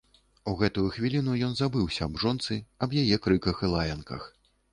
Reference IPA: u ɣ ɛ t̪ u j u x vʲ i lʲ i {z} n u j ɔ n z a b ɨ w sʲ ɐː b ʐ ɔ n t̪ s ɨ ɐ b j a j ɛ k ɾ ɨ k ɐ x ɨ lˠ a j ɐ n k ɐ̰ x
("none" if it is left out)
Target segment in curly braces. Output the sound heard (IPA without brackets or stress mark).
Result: none